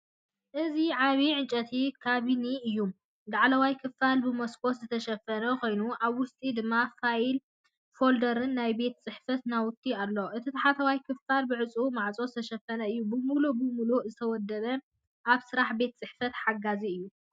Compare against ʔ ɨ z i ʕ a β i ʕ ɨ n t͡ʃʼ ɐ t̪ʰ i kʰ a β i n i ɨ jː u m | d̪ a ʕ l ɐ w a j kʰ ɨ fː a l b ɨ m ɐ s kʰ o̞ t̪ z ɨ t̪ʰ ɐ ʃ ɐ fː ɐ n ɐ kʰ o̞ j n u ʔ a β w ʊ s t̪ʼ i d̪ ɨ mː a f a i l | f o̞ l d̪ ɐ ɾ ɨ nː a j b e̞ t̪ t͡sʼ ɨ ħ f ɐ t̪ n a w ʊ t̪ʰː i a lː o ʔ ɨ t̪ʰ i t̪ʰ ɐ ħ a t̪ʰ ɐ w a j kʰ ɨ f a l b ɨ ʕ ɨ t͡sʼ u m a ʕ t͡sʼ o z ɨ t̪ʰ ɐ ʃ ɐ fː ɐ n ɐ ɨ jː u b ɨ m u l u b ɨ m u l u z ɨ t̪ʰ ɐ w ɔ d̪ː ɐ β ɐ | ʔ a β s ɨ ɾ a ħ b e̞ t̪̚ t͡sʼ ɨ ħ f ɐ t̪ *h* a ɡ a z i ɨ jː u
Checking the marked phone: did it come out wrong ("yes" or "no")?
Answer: yes